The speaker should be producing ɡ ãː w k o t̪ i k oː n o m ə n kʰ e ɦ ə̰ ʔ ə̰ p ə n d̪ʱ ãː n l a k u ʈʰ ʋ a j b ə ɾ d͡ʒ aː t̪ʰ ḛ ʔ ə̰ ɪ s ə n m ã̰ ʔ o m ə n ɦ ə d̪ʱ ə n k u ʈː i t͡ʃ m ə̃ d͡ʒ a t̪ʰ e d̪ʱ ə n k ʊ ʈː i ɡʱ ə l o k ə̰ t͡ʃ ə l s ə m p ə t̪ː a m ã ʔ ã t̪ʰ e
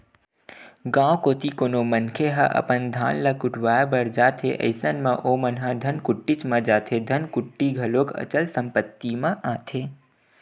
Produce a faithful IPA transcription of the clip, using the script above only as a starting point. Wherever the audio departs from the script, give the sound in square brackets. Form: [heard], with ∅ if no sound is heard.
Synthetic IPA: ɡ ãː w k o t̪ i k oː n o m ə n kʰ e ɦ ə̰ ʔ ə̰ p ə n d̪ʱ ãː n l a k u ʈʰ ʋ a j b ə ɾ d͡ʒ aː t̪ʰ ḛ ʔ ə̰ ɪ s ə n m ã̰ ʔ o m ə n ɦ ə d̪ʱ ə n k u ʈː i t͡ʃ m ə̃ d͡ʒ a t̪ʰ e d̪ʱ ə n k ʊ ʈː i ɡʱ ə l o k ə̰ t͡ʃ ə l s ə m p ə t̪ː [i] m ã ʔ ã t̪ʰ e